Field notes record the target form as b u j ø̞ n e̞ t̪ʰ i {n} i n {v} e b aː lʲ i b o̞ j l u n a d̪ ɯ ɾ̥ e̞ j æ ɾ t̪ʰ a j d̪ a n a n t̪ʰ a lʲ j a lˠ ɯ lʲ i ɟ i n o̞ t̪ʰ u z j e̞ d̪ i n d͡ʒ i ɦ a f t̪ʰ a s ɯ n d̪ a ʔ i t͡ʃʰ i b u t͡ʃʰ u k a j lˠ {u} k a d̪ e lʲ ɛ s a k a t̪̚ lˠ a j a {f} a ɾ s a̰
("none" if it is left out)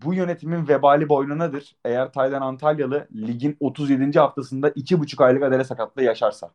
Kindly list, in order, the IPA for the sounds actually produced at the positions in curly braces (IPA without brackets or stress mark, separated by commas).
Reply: m, v, ɯ, ʃ